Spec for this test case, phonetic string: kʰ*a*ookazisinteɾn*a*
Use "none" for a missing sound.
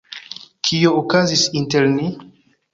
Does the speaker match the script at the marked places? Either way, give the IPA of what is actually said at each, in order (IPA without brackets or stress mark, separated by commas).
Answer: i, i